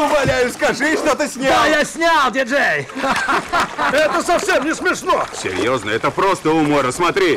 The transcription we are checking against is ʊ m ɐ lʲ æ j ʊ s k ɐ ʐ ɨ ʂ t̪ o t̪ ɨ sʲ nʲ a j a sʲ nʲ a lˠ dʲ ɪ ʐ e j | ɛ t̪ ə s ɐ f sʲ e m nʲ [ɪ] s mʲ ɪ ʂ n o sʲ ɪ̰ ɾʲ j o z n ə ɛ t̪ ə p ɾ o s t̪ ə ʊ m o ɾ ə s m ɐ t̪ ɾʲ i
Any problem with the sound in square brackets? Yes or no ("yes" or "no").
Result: no